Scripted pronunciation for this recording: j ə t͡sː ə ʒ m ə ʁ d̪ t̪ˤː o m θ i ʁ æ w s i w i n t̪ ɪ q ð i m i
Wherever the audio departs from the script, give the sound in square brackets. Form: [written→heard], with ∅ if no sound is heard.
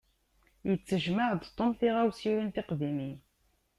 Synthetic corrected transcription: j ə t͡sː ə ʒ m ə [ʁ→ʕ] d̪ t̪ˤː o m θ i ʁ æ w s i w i n t̪ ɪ q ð i m i